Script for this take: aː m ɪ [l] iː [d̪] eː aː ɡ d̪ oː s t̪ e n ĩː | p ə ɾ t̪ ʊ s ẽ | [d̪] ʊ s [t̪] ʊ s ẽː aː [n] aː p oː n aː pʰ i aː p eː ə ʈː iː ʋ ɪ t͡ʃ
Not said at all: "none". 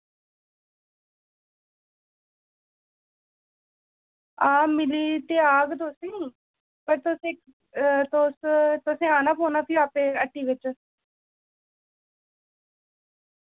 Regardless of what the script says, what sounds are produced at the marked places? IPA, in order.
l, t̪, t̪, t̪, n

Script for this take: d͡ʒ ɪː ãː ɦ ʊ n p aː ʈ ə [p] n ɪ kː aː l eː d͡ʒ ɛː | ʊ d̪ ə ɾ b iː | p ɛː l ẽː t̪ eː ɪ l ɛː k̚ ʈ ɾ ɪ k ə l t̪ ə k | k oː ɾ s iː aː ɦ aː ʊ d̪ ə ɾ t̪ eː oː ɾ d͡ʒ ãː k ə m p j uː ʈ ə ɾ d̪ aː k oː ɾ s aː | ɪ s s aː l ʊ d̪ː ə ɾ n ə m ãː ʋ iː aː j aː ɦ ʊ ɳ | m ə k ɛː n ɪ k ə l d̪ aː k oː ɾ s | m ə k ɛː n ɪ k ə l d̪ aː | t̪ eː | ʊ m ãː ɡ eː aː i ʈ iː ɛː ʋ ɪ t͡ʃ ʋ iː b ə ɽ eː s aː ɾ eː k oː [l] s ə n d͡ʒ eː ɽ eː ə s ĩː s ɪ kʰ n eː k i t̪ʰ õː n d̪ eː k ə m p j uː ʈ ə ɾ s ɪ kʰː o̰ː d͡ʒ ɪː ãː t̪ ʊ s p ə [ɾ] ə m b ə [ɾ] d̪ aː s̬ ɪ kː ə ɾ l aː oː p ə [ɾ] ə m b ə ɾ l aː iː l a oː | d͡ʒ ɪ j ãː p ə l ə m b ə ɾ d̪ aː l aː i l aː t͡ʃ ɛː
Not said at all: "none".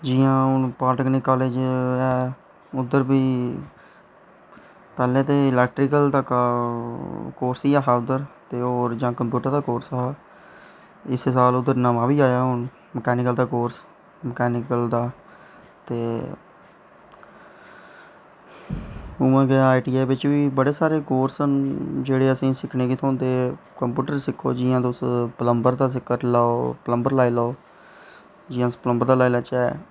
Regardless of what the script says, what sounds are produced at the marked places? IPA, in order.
k, ɾ, l, ɾ, l

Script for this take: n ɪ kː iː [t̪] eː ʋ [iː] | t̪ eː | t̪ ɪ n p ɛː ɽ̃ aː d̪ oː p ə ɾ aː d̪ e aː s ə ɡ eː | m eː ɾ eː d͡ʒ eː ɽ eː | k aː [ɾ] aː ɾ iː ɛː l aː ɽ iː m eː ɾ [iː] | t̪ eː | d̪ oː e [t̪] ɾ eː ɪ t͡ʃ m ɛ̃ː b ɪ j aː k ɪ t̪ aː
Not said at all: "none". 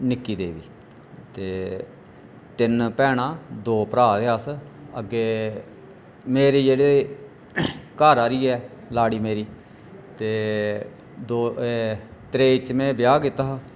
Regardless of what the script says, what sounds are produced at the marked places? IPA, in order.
d̪, iː, ɾ, iː, t̪

